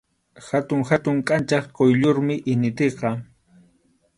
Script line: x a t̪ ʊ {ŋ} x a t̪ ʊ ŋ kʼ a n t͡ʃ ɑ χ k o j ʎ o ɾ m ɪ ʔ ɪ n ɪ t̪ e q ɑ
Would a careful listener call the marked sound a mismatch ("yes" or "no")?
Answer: no